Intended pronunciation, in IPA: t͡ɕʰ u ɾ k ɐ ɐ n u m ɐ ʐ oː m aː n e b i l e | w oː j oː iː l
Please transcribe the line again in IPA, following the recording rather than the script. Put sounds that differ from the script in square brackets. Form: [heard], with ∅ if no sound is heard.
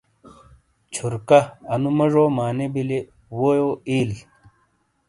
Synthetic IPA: t͡ɕʰ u ɾ k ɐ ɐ n u m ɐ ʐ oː m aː n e b i l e | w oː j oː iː l